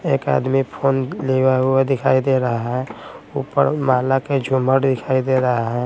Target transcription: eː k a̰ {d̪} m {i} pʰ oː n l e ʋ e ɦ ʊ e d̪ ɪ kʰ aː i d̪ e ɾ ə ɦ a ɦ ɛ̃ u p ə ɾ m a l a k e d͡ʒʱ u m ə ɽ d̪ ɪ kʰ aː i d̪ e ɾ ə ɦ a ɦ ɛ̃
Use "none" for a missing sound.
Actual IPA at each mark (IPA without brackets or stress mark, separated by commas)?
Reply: d̪, i